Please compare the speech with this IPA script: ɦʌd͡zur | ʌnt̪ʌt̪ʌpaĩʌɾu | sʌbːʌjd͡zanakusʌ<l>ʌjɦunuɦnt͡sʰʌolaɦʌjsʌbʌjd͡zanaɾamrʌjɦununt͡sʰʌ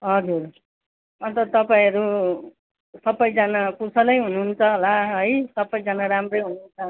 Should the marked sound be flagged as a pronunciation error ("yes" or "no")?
no